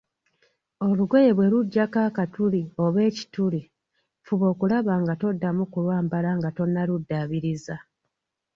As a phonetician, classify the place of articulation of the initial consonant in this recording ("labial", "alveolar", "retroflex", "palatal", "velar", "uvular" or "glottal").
alveolar